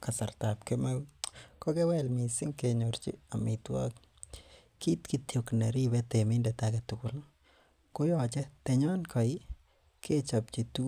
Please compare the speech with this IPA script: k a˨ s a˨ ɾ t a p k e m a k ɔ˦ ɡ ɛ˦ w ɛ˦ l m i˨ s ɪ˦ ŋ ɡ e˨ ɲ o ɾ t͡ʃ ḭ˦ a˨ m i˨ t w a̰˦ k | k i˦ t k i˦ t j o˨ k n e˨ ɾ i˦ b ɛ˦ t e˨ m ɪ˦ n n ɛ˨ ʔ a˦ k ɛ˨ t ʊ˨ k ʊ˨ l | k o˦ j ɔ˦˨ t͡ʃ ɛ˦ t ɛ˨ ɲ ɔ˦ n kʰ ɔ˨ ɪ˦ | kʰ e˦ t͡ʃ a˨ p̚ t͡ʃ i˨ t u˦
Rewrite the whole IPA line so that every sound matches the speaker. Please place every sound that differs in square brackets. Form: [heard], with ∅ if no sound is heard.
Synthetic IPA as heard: k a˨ s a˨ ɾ t a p k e m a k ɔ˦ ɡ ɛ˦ w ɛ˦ l m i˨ s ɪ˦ ŋ [k] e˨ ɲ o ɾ t͡ʃ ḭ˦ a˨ m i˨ t w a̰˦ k | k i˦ t k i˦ t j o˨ k n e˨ ɾ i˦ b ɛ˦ t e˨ m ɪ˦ n [d] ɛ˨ [t] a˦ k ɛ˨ t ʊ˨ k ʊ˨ l | k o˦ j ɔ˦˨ t͡ʃ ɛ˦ t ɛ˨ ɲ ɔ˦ n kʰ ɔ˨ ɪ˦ | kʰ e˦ t͡ʃ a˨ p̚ t͡ʃ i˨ t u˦

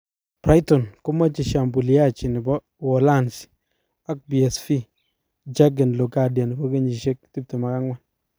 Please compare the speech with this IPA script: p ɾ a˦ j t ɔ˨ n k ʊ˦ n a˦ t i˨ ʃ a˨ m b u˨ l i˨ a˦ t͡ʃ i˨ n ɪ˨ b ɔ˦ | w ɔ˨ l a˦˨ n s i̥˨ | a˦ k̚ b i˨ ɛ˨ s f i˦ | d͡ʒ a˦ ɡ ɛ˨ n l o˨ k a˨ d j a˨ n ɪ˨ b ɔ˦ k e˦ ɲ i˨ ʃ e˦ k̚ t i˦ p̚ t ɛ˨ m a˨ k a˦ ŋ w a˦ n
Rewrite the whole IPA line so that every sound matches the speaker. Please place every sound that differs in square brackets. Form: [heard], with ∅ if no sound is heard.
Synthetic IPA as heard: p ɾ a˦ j t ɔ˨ n k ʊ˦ [m] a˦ [t͡ʃ] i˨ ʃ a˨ m b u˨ l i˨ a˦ t͡ʃ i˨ n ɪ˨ b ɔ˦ | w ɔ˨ l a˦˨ n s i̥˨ | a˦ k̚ b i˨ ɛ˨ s f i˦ | d͡ʒ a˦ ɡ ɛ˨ n l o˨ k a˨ d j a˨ n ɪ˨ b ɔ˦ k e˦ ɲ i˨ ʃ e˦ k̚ t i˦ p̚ t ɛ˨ m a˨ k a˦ ŋ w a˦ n

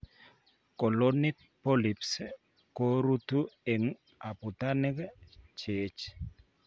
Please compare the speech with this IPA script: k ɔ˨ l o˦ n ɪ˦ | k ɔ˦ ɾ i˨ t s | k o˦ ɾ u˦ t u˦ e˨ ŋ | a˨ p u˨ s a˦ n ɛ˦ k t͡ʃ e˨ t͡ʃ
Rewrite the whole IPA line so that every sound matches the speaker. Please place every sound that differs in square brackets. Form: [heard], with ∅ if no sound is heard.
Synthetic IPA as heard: k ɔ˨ l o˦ n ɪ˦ | [p] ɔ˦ [l] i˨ [p] s | k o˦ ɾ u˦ t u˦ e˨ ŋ | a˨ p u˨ [t] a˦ n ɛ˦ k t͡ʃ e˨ t͡ʃ

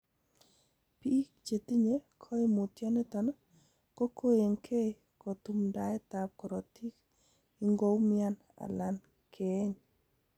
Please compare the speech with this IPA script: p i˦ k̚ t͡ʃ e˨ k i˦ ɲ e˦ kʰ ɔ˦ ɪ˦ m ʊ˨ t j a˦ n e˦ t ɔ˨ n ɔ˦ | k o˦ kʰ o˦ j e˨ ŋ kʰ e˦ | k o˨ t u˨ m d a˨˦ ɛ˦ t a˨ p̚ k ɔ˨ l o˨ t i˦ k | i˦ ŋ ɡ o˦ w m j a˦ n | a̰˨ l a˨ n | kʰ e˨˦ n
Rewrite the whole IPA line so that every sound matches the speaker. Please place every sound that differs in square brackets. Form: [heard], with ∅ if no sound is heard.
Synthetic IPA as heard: p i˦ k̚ t͡ʃ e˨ [t] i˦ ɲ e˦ kʰ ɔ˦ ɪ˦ m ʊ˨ t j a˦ n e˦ t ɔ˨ n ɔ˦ | k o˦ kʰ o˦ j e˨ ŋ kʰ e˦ | k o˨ t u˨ m d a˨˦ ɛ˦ t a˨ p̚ k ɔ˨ [ɾ] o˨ t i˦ k | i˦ ŋ ɡ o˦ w m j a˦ n | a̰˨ l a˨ n | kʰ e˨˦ [ɲ]

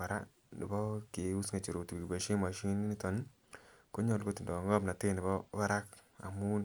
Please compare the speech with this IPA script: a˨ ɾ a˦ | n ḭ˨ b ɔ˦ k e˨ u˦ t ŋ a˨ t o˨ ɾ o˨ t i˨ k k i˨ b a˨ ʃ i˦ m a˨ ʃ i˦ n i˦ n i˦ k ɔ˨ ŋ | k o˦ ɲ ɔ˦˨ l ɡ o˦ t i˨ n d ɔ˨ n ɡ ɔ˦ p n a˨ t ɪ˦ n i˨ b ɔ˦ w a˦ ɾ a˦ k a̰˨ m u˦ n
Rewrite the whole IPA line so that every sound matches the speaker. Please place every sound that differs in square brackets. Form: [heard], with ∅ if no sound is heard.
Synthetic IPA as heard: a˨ ɾ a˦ | n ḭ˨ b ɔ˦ k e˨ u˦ [s] ŋ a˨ [t͡ʃ] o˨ ɾ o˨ t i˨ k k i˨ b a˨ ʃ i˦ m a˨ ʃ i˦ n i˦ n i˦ [t] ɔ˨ [n] | k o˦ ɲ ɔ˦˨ l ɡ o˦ t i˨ n d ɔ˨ [ŋ] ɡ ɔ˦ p n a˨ t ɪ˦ n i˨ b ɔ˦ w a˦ ɾ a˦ k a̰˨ m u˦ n

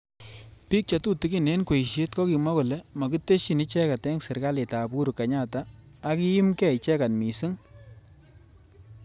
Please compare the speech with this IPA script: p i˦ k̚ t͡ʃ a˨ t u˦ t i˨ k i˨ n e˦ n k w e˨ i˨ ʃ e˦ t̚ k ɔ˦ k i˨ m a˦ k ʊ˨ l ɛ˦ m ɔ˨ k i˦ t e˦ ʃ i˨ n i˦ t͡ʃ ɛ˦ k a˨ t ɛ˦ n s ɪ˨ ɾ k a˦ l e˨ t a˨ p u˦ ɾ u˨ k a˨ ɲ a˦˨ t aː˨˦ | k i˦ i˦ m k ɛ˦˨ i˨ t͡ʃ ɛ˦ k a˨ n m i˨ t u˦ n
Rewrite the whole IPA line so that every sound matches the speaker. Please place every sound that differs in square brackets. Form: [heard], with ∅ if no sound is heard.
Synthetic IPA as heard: p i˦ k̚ t͡ʃ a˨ t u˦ t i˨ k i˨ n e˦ n k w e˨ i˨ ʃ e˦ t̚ k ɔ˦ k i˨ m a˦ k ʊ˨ l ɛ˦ m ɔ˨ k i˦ t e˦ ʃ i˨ n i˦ t͡ʃ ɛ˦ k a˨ t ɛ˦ [ŋ] s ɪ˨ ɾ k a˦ l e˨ t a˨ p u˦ ɾ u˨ k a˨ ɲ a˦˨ t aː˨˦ | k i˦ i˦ m k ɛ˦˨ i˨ t͡ʃ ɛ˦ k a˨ n m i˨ [s] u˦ [ŋ]

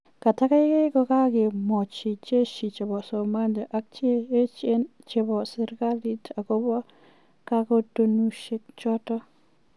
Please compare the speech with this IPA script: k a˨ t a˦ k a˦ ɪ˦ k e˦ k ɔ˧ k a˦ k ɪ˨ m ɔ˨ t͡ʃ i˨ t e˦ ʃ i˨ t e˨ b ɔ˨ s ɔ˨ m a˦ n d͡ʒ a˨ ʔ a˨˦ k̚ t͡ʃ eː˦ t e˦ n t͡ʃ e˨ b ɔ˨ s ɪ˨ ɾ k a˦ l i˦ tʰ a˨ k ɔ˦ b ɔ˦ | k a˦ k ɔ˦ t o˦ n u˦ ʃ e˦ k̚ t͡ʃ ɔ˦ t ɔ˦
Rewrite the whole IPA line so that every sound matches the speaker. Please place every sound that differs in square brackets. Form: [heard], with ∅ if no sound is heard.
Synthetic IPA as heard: k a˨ t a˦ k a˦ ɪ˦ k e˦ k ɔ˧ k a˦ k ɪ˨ m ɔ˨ t͡ʃ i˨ [t͡ʃ] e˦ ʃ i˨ [t͡ʃ] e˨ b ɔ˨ s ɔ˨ m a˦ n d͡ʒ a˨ ʔ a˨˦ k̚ t͡ʃ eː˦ [t͡ʃ] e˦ n t͡ʃ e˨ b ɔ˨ s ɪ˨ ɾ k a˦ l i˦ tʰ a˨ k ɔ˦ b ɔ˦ | k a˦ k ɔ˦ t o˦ n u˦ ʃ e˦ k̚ t͡ʃ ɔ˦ t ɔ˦

